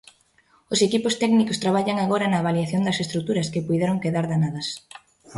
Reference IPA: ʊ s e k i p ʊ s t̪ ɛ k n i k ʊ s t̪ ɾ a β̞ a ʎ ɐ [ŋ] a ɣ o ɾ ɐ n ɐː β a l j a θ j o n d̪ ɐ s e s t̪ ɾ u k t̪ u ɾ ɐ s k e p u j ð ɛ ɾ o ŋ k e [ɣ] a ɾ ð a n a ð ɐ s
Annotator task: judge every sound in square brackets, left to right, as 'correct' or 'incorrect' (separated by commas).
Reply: correct, incorrect